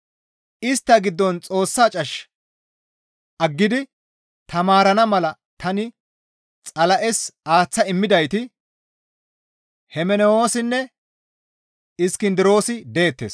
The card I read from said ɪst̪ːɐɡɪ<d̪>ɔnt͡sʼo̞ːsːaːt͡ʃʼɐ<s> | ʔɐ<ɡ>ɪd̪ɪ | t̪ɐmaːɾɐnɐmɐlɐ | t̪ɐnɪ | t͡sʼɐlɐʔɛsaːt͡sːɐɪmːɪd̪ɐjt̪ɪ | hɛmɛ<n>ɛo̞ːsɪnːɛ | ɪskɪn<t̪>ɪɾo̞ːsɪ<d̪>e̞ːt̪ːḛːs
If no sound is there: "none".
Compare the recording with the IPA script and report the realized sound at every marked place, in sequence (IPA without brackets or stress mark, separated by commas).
d̪ː, ʃ, ɡː, n, d̪, d̪